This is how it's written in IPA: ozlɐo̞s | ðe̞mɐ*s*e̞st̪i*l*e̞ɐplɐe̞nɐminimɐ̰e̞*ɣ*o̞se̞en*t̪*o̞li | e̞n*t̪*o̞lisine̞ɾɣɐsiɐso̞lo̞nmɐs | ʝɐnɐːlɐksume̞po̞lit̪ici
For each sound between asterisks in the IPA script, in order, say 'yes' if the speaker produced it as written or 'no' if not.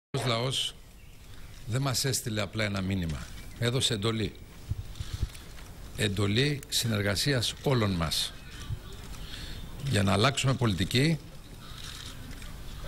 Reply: yes, yes, no, no, no

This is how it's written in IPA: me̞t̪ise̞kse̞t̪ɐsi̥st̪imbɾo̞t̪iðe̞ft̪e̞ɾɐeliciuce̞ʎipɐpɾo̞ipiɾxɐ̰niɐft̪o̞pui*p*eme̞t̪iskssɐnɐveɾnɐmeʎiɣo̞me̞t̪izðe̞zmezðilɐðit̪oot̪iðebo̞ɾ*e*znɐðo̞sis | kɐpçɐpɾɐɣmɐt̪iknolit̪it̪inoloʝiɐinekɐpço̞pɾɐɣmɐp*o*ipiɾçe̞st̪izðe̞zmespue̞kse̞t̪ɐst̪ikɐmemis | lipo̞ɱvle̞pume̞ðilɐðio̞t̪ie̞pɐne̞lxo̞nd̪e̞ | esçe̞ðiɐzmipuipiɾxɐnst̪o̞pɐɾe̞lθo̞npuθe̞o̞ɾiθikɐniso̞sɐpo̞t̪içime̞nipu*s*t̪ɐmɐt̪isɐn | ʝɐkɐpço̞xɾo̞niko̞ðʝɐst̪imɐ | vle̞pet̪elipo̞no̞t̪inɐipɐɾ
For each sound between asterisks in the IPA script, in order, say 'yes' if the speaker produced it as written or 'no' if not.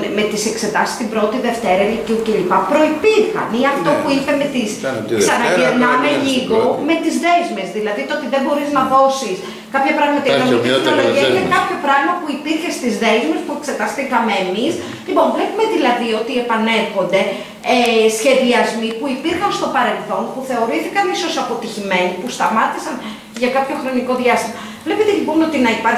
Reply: yes, no, no, yes

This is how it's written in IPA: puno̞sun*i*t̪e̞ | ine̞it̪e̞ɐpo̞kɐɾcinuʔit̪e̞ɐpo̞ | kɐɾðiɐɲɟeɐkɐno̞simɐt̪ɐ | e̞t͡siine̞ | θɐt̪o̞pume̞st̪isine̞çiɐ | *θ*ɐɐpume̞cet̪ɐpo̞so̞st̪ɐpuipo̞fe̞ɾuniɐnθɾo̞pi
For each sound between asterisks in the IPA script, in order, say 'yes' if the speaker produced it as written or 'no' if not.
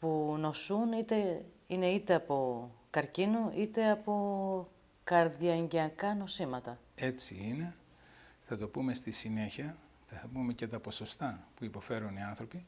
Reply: yes, yes

